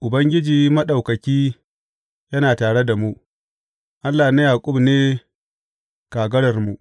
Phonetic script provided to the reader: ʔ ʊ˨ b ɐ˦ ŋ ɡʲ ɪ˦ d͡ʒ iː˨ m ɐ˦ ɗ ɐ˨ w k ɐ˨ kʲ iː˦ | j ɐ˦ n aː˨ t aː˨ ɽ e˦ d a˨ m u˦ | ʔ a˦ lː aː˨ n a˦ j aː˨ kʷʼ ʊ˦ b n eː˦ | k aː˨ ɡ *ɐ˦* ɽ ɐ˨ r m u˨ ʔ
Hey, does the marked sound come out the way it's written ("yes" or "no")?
yes